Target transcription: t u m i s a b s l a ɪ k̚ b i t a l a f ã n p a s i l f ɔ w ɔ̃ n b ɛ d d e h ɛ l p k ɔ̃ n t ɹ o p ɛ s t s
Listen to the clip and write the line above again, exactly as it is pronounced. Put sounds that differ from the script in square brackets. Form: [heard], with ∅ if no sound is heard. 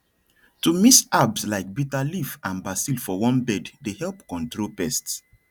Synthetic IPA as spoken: t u m i s a b s l a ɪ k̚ b i t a l [i] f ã n [b] a s i l f ɔ w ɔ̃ n b ɛ d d e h ɛ l p k ɔ̃ n t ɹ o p ɛ s t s